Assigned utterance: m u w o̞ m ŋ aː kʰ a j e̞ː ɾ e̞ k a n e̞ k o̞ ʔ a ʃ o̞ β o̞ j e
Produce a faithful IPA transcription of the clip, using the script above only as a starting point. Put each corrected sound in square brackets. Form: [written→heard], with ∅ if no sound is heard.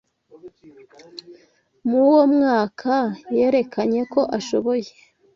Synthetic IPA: m u w o̞ m ŋ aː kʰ a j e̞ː ɾ e̞ k a [n→ɲ] e̞ k o̞ ʔ a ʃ o̞ β o̞ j e